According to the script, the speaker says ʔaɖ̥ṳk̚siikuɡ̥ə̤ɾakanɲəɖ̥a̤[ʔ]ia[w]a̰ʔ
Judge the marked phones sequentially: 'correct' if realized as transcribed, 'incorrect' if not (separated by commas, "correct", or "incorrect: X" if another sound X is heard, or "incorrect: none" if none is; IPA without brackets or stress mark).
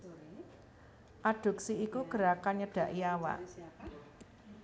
correct, correct